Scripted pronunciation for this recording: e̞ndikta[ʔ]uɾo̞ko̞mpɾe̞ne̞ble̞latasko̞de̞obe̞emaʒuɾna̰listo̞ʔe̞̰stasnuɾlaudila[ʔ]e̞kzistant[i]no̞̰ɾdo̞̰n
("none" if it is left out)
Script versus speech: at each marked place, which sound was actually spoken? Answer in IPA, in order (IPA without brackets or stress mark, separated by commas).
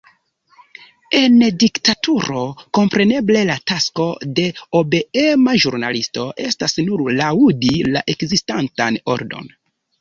t, ʔ, a